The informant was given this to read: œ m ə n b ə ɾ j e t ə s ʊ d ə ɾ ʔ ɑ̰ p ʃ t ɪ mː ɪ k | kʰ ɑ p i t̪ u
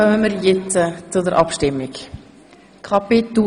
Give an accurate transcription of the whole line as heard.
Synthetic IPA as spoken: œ m ə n m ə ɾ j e t͡s ə t͡s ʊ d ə ɾ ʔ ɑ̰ p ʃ t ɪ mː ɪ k | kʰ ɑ p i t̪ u

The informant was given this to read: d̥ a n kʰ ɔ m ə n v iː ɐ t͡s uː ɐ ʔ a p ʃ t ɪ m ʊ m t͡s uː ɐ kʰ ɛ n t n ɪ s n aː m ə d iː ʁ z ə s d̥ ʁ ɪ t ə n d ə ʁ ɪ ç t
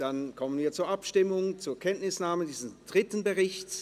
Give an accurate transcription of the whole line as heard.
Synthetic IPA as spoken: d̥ a n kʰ ɔ m ə n v iː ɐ t͡s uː ɐ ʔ a p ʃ t ɪ m ʊ ŋ t͡s uː ɐ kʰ ɛ n t n ɪ s n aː m ə d iː z ə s d̥ ʁ ɪ t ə n b ə ʁ ɪ ç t

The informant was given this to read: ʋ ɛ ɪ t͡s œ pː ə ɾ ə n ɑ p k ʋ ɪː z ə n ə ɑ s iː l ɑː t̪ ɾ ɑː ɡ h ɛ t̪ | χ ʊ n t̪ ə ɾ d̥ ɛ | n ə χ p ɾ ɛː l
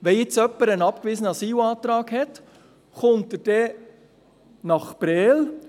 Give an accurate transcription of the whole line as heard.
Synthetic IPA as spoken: ʋ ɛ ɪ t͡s œ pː ə ɾ ə n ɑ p k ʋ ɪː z ə n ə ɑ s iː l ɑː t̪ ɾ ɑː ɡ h ɛ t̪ | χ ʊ n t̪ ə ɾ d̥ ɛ | n ɑ χ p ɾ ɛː l

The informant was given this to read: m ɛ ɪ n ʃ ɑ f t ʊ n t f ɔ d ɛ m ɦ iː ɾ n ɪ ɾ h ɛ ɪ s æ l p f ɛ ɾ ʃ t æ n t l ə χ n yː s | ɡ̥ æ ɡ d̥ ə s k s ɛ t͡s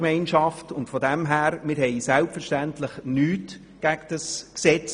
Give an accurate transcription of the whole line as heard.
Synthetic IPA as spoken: m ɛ ɪ n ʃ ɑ f t ʊ n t f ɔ d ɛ m ɦ æː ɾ m ɪ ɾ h ɛ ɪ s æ l p f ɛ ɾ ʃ t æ n t l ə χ n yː t | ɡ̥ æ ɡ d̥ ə s k s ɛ t͡s

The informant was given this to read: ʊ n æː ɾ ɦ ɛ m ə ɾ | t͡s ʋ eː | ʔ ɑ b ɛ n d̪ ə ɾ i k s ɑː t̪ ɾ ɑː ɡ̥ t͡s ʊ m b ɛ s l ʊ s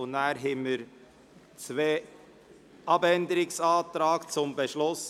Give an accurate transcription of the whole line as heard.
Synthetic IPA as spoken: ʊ n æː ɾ ɦ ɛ m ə ɾ | t͡s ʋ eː | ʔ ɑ b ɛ n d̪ ə ɾ ɪ k s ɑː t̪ ɾ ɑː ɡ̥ t͡s ʊ m b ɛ ʃ l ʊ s

